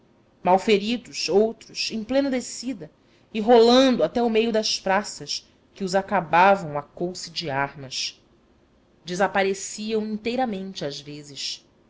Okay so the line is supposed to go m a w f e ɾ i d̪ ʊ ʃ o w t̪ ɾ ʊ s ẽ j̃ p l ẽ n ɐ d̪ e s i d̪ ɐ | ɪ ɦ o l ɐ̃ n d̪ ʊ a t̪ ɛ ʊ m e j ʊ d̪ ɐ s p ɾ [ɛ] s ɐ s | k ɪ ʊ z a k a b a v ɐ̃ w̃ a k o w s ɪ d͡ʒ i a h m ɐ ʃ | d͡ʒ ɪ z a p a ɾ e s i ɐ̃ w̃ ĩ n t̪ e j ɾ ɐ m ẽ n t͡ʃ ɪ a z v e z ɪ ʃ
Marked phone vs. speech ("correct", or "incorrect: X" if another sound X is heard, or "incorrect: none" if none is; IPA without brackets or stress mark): incorrect: a